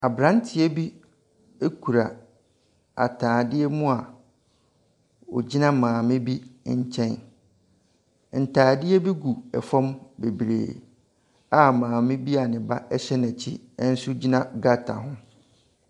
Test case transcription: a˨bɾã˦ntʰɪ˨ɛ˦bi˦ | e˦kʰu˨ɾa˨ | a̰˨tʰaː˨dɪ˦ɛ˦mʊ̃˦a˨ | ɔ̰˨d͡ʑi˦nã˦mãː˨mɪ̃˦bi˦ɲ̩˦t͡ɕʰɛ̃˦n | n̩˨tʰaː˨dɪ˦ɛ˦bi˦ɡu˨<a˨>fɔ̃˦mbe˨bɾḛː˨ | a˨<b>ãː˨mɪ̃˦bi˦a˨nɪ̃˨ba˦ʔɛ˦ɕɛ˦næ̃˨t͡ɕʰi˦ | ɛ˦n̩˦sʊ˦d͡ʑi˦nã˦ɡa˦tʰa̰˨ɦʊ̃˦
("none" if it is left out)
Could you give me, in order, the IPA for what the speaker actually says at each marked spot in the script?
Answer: ɛ˨, m

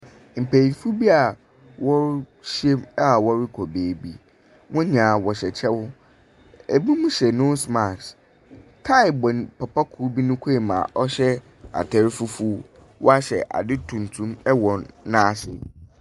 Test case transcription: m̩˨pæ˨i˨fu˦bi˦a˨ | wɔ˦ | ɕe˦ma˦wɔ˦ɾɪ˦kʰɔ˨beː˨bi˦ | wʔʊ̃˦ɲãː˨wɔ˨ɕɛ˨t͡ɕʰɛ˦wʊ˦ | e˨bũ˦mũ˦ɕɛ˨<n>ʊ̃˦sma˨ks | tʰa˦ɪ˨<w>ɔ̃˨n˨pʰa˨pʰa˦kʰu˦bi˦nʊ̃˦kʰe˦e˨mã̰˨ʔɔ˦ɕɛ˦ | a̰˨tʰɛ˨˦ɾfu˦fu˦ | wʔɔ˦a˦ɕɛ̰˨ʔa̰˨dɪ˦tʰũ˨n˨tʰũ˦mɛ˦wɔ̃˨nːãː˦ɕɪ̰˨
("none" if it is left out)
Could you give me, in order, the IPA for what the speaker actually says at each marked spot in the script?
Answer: n, b

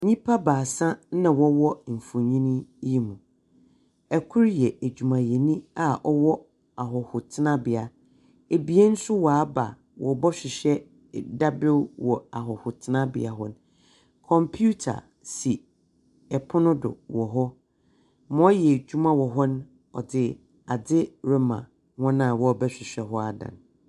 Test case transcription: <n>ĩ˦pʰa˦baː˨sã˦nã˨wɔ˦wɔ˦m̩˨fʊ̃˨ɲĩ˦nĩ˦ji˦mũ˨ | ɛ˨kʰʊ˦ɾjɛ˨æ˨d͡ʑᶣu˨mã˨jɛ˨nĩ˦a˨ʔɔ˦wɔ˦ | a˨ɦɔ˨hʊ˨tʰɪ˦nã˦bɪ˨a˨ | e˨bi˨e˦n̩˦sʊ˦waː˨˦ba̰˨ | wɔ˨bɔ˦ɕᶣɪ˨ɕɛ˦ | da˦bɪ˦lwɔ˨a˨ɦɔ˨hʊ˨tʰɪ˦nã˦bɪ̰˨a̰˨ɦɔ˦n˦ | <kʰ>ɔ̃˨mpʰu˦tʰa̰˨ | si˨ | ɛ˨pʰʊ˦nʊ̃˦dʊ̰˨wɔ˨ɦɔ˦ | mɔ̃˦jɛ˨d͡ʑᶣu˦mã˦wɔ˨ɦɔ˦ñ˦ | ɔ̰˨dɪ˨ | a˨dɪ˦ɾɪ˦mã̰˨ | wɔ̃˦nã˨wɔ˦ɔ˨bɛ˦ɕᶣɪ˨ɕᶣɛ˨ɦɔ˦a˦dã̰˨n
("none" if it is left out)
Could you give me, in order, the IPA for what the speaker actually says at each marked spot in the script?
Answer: ɲ, kʰ

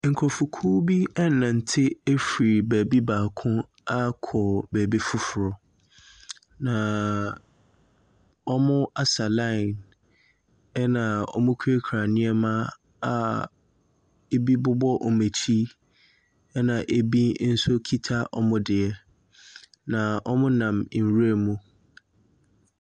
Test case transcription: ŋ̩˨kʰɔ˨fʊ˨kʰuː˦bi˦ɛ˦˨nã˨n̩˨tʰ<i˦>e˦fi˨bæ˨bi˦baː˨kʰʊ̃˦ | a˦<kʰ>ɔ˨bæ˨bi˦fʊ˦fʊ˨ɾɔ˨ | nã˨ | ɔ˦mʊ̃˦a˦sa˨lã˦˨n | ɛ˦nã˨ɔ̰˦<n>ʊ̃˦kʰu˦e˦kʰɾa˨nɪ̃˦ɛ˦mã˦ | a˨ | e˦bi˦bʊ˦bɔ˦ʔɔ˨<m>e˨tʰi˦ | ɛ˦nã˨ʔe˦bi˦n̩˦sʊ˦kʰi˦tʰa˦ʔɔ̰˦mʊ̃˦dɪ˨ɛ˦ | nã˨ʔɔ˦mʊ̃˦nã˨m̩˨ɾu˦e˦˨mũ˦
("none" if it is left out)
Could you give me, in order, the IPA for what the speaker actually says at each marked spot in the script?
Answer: ɪ˦, kʰ, m, m

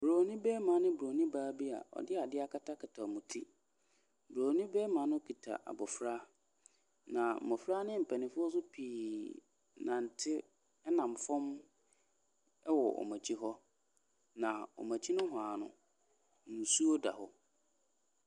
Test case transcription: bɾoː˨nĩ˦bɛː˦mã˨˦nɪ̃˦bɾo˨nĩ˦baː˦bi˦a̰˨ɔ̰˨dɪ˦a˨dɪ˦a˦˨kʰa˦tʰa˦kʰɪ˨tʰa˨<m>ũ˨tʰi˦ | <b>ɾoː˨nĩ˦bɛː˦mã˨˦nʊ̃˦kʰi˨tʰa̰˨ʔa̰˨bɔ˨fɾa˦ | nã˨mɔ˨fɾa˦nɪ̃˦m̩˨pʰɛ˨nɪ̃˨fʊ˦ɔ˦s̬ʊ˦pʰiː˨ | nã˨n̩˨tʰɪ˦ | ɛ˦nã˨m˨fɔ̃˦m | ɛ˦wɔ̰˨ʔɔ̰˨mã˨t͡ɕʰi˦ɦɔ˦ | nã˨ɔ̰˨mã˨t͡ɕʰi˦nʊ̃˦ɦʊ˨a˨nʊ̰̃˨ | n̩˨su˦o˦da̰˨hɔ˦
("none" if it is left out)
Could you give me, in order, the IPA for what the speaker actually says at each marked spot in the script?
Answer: m, b

